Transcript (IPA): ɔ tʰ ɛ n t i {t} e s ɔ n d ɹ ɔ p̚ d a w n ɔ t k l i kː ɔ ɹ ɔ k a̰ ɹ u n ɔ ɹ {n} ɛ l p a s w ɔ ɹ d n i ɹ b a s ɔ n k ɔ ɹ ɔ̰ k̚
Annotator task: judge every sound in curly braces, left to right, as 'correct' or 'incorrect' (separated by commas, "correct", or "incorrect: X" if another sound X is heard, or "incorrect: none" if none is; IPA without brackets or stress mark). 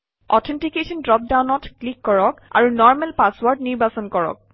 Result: incorrect: k, incorrect: m